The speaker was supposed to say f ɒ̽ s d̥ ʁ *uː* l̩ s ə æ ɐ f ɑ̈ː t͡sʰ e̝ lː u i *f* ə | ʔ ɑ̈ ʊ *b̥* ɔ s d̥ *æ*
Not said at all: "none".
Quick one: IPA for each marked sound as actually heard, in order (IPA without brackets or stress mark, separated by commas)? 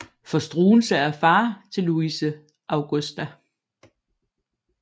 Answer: uː, s, ɡ̥, æ